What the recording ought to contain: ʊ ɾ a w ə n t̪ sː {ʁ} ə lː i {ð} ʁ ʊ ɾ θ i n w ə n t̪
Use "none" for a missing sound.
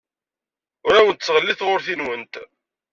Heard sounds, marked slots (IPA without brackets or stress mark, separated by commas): ʁ, θ